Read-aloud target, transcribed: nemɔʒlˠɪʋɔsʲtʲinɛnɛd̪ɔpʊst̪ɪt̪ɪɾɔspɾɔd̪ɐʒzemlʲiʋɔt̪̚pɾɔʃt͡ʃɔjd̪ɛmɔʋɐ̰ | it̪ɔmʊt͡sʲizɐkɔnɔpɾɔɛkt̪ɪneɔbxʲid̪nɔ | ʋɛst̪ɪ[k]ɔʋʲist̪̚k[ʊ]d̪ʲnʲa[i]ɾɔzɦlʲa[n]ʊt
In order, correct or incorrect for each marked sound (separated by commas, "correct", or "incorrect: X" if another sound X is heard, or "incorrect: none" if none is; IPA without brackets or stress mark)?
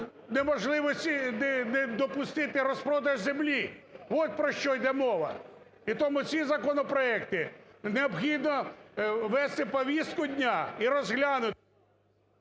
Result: incorrect: p, correct, correct, correct